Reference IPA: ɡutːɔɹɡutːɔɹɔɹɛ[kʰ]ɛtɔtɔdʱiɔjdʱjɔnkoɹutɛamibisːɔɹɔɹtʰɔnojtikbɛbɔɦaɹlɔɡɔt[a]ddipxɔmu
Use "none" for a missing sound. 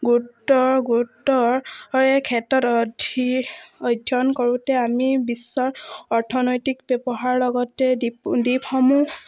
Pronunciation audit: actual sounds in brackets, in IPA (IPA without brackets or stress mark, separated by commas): kʰ, ɛ